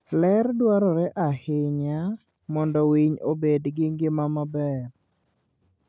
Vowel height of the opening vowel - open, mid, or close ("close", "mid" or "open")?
mid